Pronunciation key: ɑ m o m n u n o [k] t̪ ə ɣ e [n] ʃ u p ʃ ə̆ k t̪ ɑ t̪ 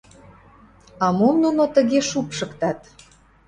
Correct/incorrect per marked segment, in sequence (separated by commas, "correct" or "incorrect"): incorrect, incorrect